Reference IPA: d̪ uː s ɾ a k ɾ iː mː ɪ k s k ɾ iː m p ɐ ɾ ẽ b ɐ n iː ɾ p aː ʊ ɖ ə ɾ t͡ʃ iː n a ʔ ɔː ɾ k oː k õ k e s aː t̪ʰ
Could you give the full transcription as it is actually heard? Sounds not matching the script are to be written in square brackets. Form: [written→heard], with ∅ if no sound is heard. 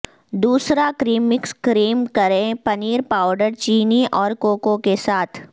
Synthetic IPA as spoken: d̪ uː s ɾ a k ɾ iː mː ɪ k s k ɾ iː m [p→k] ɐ ɾ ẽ [b→p] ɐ n iː ɾ p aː ʊ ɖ ə ɾ t͡ʃ iː n [a→i] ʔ ɔː ɾ k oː k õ k e s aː t̪ʰ